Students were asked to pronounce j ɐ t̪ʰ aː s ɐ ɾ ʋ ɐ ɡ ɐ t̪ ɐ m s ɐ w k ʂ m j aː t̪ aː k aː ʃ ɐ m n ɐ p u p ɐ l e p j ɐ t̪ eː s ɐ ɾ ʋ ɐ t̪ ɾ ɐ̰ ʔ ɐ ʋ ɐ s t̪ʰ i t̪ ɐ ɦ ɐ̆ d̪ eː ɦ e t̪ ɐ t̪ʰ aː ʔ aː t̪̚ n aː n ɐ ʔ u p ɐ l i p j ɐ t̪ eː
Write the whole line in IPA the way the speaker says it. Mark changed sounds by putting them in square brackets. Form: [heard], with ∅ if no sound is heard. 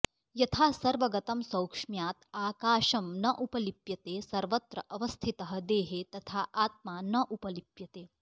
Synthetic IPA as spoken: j ɐ t̪ʰ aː s ɐ ɾ ʋ ɐ ɡ ɐ t̪ ɐ m s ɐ w k ʂ m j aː t̪ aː k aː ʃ ɐ m n ɐ [ʔ] u p ɐ l [i] p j ɐ t̪ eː s ɐ ɾ ʋ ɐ t̪ ɾ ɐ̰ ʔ ɐ ʋ ɐ s t̪ʰ i t̪ ɐ ɦ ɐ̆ d̪ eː ɦ e t̪ ɐ t̪ʰ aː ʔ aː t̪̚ [m] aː n ɐ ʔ u p ɐ l i p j ɐ t̪ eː